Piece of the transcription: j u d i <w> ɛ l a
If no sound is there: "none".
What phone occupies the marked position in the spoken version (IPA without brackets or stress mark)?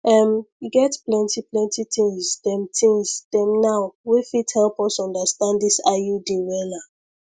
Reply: w